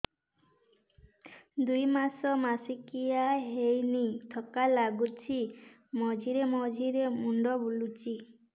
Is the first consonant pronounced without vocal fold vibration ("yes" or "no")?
no